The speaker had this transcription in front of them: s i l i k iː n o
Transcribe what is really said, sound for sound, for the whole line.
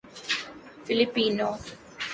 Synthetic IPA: f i l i p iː n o